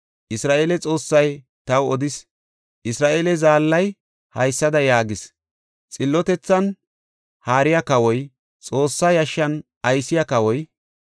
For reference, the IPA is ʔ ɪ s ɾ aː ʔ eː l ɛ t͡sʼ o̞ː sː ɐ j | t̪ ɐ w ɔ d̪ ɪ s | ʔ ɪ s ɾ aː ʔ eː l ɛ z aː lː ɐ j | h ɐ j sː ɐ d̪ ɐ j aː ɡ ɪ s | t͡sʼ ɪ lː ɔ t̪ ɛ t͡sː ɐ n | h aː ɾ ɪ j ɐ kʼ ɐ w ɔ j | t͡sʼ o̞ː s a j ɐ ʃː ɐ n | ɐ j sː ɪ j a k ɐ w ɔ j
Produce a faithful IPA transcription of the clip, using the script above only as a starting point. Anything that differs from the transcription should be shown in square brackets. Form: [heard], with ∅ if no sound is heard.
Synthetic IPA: ʔ ɪ s ɾ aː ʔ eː l ɛ t͡sʼ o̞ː sː ɐ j | t̪ ɐ w ɔ d̪ ɪ s | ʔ ɪ s ɾ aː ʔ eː l ɛ z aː lː ɐ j | h ɐ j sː ɐ d̪ ɐ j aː ɡ ɪ s | t͡sʼ ɪ lː ɔ t̪ ɛ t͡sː ɐ n | h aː ɾ ɪ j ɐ [k] ɐ w ɔ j | t͡sʼ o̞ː [sː] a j ɐ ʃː ɐ n | ɐ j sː ɪ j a k ɐ w ɔ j